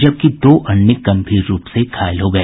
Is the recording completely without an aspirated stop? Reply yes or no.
no